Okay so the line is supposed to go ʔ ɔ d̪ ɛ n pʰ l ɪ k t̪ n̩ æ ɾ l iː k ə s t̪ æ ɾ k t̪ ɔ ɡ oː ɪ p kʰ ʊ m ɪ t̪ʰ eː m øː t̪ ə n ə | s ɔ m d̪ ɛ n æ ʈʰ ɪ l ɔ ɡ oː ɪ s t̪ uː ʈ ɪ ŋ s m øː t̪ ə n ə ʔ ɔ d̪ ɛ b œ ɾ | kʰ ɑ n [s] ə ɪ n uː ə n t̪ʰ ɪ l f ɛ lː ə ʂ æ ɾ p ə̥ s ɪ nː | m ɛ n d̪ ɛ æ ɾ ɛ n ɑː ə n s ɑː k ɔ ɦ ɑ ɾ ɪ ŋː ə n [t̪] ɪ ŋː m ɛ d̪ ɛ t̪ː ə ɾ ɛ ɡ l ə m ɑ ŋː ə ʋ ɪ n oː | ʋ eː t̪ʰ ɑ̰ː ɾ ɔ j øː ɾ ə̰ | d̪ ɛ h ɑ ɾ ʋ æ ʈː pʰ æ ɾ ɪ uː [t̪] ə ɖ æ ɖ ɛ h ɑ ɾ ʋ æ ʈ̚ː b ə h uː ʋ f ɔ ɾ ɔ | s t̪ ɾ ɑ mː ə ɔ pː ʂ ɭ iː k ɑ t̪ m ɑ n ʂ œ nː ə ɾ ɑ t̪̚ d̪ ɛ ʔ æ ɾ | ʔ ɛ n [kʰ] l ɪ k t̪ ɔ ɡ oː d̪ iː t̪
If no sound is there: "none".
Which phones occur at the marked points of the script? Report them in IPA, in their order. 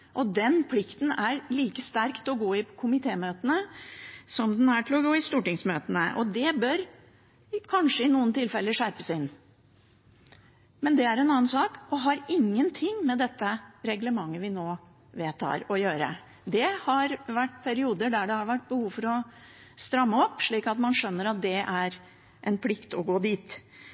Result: ʂ, t̪ʰ, d̪, pʰ

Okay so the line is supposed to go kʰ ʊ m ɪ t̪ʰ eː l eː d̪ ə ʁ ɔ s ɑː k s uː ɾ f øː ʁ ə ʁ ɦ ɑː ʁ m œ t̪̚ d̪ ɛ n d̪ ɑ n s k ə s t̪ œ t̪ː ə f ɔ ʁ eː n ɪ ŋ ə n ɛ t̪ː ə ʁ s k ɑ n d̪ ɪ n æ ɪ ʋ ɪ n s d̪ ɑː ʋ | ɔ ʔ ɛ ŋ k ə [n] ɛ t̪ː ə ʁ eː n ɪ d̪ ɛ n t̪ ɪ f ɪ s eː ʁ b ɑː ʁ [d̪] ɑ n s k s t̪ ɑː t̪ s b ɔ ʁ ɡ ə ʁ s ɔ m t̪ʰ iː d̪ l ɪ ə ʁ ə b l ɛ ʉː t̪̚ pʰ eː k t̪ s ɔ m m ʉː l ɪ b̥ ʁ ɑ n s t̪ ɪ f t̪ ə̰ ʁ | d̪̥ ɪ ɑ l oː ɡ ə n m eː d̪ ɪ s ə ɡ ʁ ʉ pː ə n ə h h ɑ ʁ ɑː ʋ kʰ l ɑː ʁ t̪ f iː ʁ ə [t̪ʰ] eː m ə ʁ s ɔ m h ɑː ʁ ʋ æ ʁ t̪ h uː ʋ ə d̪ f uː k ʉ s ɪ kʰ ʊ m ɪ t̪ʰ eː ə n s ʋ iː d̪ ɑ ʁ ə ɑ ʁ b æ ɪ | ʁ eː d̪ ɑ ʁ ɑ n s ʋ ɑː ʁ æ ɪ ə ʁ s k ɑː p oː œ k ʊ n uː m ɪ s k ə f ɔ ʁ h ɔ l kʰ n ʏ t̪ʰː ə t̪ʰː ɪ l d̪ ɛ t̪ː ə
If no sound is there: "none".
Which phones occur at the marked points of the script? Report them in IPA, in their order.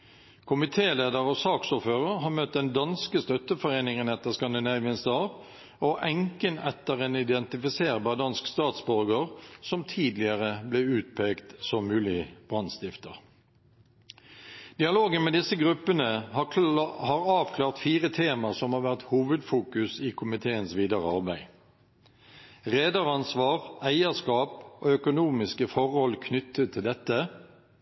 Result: n, d̪, t̪ʰ

